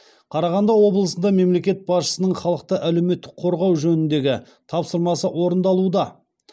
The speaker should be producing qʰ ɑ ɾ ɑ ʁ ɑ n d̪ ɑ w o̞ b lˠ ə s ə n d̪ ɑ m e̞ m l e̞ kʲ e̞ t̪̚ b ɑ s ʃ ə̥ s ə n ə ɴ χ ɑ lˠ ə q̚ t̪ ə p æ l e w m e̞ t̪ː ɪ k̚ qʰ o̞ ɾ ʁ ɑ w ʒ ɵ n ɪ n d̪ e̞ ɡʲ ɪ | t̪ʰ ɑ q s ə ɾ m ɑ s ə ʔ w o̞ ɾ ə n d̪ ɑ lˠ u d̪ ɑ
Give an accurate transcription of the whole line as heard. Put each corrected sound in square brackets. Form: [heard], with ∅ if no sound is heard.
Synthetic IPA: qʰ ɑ ɾ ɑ ʁ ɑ n d̪ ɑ w o̞ b lˠ ə s ə n d̪ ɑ m e̞ m l e̞ kʲ e̞ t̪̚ b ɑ s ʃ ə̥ s ə n ə ɴ χ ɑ lˠ ə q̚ t̪ ə [ʔ] æ l e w m e̞ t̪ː ɪ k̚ qʰ o̞ ɾ ʁ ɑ w ʒ ɵ n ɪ n d̪ e̞ ɡʲ ɪ | t̪ʰ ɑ [p] s ə ɾ m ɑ s ə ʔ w o̞ ɾ ə n d̪ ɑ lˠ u d̪ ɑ